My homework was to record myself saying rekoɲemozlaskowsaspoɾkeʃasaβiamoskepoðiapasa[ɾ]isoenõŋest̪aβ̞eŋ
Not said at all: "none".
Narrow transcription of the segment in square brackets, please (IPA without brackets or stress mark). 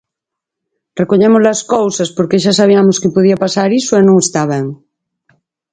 ɾ